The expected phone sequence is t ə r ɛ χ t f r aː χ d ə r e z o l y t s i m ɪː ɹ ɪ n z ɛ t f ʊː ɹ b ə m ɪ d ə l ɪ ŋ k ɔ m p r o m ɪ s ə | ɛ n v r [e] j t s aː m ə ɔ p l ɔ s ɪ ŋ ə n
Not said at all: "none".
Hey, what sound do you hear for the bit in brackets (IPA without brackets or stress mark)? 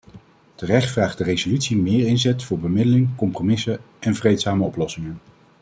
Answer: e